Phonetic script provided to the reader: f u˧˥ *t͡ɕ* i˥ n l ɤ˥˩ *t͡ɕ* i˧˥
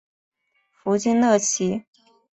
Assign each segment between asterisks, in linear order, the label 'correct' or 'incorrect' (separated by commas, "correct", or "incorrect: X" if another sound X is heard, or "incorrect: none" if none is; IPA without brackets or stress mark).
correct, incorrect: t͡ɕʰ